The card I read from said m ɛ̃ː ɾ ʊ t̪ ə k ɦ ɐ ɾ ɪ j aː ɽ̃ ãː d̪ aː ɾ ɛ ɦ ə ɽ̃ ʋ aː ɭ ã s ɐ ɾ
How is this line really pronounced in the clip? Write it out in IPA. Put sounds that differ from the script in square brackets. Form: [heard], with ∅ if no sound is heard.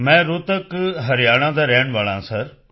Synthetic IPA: m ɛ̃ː ɾ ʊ t̪ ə k ɦ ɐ ɾ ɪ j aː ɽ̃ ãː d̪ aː ɾ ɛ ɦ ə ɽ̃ ʋ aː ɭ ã s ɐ ɾ